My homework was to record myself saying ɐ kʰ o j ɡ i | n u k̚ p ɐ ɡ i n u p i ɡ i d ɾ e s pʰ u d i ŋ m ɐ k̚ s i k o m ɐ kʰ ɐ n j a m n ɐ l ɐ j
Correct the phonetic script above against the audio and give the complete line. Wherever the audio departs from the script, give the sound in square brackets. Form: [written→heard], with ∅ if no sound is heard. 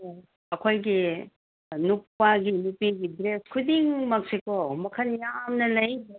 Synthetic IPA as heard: ɐ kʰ o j ɡ i | n u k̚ p [ɐ→a] ɡ i n u p i ɡ i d ɾ e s [pʰ→kʰ] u d i ŋ m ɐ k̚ s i k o m ɐ kʰ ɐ n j a m n ɐ l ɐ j